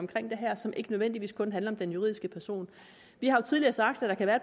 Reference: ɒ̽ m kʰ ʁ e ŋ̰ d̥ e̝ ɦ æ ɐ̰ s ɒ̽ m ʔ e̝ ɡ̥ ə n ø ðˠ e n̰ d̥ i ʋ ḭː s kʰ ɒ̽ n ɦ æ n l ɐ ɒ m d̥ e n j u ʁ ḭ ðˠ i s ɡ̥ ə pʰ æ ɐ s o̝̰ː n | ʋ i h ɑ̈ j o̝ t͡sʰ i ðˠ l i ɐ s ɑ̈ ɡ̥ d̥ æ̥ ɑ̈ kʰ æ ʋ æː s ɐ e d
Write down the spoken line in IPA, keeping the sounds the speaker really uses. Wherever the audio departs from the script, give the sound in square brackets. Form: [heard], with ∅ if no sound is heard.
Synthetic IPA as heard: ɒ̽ m kʰ ʁ e ŋ̰ d̥ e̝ ɦ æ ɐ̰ s ɒ̽ m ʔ e̝ ɡ̥ ə n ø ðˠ e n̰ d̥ i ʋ ḭː s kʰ [ɔ̽] n ɦ æ n l ɐ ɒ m d̥ e n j u ʁ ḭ ðˠ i s ɡ̥ ə pʰ æ ɐ s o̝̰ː n | ʋ i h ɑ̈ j o̝ t͡sʰ i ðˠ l i ɐ s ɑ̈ ɡ̥ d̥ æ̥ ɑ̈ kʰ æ ʋ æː [∅] ɐ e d